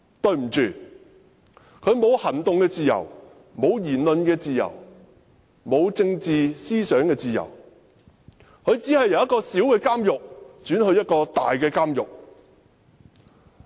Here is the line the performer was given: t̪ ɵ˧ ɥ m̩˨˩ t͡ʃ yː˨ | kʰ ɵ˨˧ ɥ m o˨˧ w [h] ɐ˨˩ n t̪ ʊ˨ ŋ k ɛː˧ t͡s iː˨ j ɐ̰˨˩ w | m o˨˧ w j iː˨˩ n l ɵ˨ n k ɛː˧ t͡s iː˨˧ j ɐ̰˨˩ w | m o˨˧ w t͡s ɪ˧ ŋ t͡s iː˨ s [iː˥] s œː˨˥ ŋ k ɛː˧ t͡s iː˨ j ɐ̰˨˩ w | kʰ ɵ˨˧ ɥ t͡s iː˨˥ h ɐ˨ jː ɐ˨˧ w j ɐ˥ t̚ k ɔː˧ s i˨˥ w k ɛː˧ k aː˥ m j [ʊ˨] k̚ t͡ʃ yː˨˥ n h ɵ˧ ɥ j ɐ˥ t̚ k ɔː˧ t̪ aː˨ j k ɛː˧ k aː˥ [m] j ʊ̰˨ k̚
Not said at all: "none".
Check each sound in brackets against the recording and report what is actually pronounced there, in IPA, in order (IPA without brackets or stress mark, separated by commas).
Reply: h, iː˥, ʊ˨, m